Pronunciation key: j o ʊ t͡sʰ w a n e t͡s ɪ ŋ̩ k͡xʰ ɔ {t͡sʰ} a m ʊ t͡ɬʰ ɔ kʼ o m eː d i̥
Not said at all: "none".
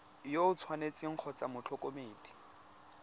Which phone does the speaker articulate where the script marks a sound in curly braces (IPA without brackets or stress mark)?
t͡s